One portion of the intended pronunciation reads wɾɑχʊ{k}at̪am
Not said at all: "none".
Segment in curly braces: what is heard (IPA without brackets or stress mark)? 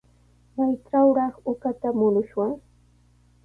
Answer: k